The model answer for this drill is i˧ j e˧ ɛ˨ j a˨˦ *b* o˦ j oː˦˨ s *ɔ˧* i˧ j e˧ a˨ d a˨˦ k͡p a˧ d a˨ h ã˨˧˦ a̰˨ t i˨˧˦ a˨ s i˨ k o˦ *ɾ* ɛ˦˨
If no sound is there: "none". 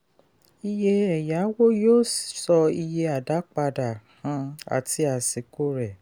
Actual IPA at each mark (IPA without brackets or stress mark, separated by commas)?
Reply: w, ɔ˧, ɾ